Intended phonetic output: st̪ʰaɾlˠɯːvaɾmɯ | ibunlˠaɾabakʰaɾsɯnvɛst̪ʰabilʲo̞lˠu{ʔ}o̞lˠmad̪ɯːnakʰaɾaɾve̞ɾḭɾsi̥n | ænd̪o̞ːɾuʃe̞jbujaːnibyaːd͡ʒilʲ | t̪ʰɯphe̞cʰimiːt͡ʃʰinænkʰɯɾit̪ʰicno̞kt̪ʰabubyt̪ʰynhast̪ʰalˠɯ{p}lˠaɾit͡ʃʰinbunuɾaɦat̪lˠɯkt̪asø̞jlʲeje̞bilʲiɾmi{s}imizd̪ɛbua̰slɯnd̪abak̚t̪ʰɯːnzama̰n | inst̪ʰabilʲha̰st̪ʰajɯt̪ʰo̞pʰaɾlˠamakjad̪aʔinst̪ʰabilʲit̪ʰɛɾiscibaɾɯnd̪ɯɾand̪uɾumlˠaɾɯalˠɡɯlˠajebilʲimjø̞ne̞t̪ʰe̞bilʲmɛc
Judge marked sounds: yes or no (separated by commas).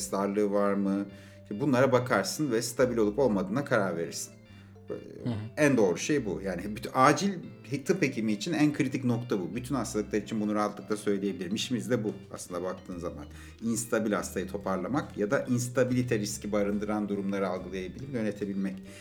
no, no, no